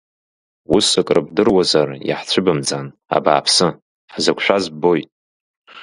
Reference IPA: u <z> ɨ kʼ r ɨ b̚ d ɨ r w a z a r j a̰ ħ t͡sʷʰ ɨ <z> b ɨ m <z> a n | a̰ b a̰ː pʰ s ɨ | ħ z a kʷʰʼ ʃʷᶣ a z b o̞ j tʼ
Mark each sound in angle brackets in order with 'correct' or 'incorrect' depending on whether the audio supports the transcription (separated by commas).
incorrect, incorrect, incorrect